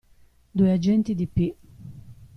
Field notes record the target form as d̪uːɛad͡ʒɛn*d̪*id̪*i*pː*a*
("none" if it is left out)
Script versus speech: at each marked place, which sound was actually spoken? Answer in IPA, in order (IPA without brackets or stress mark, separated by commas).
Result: t̪, i, i